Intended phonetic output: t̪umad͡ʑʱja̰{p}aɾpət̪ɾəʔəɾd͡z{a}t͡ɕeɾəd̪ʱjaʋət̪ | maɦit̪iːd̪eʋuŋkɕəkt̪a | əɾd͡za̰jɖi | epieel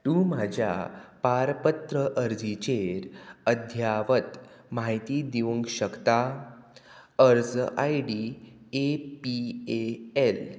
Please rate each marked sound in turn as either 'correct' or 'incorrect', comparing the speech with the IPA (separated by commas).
correct, incorrect